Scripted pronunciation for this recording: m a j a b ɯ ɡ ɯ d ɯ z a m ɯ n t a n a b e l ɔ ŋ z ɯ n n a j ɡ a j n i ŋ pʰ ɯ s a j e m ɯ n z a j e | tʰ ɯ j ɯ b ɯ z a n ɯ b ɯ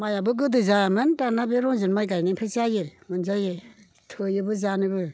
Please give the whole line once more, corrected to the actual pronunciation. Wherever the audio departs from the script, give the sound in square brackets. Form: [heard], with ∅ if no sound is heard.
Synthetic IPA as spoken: m a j a b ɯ ɡ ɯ d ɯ z a m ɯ n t a n a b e [ɾ] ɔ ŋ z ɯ n [m] a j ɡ a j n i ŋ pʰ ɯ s a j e m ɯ n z a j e | tʰ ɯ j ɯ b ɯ z a n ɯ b ɯ